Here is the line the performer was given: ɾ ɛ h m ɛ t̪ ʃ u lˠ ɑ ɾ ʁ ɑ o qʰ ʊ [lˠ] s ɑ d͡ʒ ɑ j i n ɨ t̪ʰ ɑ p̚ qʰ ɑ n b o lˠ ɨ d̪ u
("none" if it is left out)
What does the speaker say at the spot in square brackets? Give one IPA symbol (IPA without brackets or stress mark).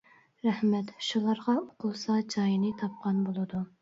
lˠ